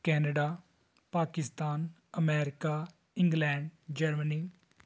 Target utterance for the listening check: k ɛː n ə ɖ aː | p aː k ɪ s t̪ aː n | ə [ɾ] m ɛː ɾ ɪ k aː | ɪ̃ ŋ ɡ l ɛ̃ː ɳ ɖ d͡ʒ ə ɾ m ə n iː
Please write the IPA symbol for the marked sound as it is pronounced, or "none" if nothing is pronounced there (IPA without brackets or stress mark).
none